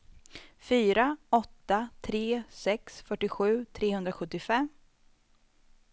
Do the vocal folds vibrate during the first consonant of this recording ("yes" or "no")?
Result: no